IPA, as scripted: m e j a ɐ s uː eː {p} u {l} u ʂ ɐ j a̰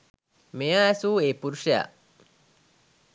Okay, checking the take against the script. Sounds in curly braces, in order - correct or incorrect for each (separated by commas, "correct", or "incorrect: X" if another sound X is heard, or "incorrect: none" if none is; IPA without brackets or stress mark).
correct, incorrect: ɾ